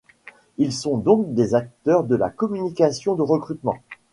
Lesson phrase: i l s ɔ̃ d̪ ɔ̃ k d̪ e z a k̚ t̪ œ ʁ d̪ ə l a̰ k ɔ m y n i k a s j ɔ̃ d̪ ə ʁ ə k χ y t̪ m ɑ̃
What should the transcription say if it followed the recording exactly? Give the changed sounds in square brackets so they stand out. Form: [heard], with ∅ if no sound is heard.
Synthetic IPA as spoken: i l s ɔ̃ d̪ ɔ̃ k d̪ e z a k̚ t̪ œ ʁ d̪ ə l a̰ k ɔ m y n i k a s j ɔ̃ d̪ ə ʁ ə k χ y t̪ m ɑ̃